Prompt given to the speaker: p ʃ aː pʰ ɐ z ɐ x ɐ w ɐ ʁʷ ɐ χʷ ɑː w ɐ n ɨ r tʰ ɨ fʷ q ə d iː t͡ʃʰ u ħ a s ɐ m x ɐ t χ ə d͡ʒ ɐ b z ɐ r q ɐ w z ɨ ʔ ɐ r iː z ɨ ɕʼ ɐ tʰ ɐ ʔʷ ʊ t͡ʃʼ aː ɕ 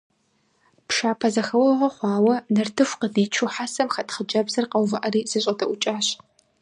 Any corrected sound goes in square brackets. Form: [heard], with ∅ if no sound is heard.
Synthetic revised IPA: p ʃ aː pʰ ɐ z ɐ x ɐ w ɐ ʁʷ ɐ χʷ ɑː w ɐ n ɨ r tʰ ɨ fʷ q ə d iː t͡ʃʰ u ħ a s ɐ m x ɐ t χ ə d͡ʒ ɐ b z ɐ r q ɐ w [v] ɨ ʔ ɐ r iː z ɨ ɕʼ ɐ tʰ ɐ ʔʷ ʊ t͡ʃʼ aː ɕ